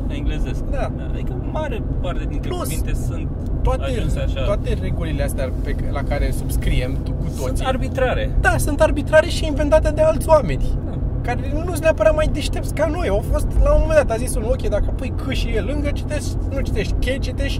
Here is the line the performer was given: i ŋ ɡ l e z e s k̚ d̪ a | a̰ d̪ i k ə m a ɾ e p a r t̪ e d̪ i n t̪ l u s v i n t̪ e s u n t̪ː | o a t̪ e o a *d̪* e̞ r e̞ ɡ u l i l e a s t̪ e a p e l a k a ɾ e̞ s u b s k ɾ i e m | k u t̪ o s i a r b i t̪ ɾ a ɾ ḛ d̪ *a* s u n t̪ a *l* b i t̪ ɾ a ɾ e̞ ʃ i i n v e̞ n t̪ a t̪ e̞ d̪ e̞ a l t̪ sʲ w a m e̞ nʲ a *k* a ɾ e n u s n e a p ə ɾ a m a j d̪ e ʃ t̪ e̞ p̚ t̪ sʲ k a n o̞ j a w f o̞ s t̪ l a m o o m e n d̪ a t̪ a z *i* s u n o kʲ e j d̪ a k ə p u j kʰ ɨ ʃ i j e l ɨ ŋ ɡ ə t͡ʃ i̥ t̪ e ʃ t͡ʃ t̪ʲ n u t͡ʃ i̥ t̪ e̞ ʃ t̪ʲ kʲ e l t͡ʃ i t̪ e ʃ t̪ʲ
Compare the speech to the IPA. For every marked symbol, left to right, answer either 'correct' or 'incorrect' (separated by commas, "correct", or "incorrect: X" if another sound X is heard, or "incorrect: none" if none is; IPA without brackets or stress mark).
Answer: incorrect: t̪, correct, incorrect: r, correct, correct